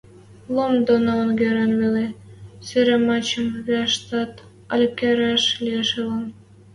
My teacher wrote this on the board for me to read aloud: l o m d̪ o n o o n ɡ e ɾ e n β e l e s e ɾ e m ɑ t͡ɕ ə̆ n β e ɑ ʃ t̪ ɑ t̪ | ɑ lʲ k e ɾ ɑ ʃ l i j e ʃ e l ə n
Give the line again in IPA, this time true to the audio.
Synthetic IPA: l o m d̪ o n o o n ɡ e ɾ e n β e l e s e ɾ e m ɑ t͡ɕ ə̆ m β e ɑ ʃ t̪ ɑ t̪ | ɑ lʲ k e ɾ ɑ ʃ l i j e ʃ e l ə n